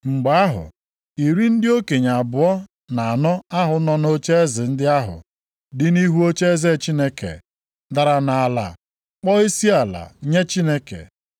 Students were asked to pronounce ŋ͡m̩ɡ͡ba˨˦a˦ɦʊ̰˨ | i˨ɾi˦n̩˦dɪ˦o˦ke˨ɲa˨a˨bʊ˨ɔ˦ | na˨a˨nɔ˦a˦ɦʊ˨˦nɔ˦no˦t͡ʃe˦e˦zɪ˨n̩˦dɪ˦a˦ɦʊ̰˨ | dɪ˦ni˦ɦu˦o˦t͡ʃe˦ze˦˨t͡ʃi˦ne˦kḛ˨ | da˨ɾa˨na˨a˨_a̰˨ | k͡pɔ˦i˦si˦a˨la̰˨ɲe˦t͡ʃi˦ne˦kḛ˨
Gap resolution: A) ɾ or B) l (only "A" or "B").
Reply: B